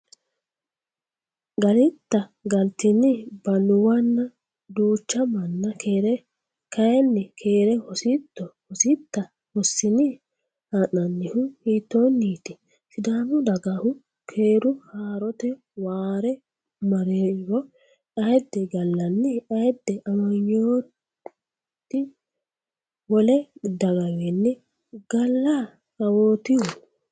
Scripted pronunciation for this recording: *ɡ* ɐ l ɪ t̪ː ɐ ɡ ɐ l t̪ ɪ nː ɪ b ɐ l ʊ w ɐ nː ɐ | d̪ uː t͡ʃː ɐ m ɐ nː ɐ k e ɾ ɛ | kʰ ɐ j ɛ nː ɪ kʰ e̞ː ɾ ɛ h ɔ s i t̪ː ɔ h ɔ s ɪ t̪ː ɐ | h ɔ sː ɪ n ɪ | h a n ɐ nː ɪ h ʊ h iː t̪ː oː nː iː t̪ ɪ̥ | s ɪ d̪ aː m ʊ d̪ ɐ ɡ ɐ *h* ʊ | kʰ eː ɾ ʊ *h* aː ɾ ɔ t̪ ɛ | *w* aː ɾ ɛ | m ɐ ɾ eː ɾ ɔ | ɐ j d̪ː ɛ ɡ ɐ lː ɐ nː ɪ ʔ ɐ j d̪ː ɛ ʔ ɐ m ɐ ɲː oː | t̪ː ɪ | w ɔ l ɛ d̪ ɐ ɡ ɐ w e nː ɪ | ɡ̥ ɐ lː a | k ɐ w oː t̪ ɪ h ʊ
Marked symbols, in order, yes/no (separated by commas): yes, yes, yes, yes